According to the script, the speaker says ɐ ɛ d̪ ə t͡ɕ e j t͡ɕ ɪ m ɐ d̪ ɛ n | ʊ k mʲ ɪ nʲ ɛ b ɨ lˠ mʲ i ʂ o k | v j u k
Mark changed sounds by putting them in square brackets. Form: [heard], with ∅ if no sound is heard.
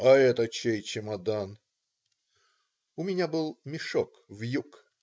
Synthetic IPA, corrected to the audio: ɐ ɛ [t̪] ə t͡ɕ e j t͡ɕ ɪ m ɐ d̪ [a] n | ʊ [∅] mʲ ɪ nʲ [a] b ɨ lˠ mʲ [ɪ] ʂ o k | v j u k